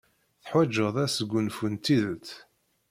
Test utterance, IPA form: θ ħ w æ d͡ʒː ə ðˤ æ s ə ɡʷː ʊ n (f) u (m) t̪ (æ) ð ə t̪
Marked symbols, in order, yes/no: yes, no, no

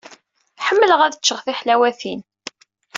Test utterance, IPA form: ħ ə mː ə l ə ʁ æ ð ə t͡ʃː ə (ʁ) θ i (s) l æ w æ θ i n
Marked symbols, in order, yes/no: yes, no

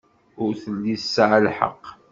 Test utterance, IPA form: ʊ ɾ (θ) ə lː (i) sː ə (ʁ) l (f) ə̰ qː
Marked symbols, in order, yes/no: yes, yes, no, no

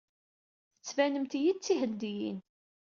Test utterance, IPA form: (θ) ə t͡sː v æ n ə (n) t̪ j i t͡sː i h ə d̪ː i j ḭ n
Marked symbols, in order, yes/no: yes, no

